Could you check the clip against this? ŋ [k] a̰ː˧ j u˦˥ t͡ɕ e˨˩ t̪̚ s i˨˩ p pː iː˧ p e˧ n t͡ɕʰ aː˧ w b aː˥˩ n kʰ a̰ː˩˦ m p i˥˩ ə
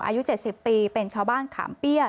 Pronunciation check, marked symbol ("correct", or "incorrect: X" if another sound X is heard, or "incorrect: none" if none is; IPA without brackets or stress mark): incorrect: ʔ